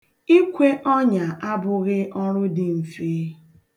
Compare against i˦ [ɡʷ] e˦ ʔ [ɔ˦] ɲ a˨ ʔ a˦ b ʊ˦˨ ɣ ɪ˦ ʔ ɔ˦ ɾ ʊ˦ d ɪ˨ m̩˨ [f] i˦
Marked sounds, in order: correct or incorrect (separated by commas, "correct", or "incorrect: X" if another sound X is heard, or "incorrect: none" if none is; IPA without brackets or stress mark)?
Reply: incorrect: kʷ, correct, correct